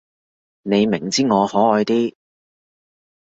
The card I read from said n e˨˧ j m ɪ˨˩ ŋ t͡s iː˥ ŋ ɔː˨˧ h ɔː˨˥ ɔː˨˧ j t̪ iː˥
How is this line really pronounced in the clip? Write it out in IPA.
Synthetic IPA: n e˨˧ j m ɪ˨˩ ŋ t͡s iː˥ ŋ ɔː˨˧ h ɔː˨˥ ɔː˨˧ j t̪ iː˥